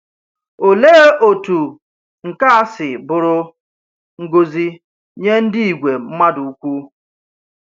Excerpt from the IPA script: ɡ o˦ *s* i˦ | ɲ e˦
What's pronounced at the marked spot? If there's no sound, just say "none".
z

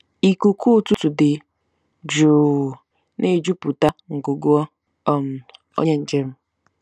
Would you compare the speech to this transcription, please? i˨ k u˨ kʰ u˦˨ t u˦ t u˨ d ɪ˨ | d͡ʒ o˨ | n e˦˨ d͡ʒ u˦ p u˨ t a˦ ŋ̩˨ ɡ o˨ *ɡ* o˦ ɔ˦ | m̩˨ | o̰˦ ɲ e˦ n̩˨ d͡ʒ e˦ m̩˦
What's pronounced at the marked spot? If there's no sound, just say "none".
ɡ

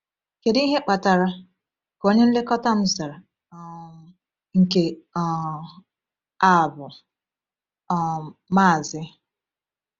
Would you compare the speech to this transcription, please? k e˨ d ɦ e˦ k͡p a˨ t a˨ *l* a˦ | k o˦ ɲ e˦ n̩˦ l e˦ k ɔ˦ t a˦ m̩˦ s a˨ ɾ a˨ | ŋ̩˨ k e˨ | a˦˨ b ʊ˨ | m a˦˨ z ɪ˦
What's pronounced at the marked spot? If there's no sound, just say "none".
ɾ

